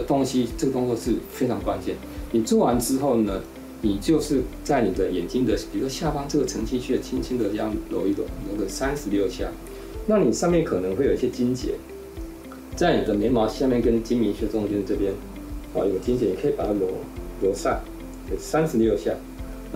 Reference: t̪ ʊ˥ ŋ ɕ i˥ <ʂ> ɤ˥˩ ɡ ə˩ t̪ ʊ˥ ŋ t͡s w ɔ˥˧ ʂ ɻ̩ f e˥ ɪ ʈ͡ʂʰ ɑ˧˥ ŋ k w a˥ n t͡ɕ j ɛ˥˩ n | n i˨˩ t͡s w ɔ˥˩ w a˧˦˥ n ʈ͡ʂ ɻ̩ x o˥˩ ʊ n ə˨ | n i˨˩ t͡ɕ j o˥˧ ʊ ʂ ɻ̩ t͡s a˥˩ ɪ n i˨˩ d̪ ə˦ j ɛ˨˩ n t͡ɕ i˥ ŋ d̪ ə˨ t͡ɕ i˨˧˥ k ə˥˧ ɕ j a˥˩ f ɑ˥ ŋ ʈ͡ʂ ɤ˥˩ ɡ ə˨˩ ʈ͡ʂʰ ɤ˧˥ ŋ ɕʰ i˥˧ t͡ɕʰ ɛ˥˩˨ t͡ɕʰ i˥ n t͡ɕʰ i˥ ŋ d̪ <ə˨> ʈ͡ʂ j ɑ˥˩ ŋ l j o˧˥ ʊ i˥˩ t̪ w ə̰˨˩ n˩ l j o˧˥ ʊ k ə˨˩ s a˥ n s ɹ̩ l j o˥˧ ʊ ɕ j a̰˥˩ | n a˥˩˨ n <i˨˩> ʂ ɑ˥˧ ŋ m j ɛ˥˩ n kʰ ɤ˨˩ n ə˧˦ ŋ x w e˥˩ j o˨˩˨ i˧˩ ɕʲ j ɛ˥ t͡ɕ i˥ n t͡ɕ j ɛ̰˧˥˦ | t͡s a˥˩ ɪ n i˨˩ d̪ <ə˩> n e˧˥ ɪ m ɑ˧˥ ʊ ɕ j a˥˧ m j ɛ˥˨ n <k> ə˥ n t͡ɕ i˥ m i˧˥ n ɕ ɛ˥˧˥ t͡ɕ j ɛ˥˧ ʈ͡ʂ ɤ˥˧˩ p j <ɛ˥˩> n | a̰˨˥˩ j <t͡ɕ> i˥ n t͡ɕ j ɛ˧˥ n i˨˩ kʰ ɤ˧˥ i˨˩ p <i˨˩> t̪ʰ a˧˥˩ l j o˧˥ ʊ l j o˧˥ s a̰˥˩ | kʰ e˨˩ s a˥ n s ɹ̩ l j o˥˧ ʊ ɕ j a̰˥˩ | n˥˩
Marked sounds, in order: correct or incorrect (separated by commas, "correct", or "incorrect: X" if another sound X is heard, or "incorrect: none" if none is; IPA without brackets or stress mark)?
incorrect: ʈ͡ʂ, correct, correct, incorrect: ə˦, correct, incorrect: ɛ˥, correct, incorrect: a˨˩